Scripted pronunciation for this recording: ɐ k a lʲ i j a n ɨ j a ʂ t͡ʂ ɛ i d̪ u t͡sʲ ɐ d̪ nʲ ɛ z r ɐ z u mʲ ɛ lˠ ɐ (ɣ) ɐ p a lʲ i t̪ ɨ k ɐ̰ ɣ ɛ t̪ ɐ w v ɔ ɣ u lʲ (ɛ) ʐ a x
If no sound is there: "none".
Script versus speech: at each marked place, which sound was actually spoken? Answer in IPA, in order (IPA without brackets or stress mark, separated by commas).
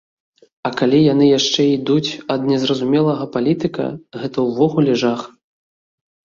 ɣ, ɛ